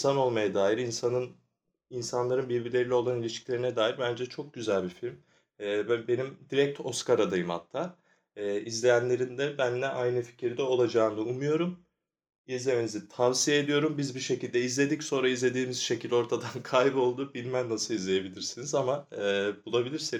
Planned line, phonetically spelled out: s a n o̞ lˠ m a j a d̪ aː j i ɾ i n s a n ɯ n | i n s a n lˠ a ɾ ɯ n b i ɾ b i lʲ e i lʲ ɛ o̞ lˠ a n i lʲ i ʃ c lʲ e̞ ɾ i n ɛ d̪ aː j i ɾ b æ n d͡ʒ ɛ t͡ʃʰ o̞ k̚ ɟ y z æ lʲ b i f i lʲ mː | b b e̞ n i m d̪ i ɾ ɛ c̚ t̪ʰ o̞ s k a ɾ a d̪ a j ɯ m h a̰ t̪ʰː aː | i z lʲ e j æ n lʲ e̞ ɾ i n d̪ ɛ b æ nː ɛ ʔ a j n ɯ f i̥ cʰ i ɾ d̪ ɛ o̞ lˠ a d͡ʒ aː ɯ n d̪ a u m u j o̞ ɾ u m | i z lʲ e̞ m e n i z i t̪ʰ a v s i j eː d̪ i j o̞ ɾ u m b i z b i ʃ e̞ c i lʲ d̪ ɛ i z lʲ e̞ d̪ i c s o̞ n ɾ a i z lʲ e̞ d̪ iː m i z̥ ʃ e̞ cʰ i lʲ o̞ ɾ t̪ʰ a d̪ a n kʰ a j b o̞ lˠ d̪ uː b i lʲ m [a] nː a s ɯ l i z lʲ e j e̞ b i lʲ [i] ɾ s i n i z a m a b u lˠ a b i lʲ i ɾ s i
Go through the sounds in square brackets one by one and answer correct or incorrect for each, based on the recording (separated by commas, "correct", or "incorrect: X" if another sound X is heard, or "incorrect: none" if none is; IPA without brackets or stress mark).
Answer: incorrect: æ, correct